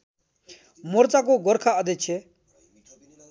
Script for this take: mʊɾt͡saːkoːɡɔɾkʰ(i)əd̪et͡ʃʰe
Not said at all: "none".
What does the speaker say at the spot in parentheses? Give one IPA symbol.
a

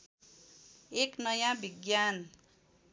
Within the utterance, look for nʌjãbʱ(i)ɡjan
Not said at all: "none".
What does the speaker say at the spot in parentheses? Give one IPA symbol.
i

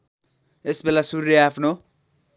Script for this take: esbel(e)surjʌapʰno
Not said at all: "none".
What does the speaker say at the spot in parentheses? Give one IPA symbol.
a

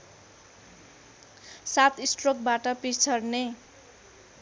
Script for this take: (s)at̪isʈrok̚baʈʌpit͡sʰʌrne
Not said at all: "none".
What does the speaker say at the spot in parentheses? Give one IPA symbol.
s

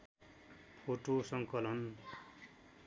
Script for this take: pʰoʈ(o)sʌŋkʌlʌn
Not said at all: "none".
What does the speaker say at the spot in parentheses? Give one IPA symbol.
o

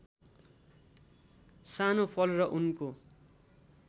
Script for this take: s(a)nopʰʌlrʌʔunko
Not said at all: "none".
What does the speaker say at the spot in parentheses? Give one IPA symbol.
a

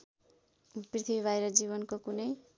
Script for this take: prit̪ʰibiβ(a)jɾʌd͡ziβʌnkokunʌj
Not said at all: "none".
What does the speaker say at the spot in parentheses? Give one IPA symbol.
a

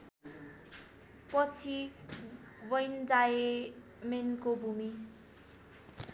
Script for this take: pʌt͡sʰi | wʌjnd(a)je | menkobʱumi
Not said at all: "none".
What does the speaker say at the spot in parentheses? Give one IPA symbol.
a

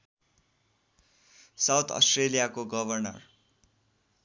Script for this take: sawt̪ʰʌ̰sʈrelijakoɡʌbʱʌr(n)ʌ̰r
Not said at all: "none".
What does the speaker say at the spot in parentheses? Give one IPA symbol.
n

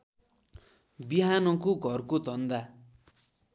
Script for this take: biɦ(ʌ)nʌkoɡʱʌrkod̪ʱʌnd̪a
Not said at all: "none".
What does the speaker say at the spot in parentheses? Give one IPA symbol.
a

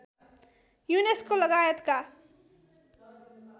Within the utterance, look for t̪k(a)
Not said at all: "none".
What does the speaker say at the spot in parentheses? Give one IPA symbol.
a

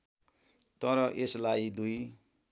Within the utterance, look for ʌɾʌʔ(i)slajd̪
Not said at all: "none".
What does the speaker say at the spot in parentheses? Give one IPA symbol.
e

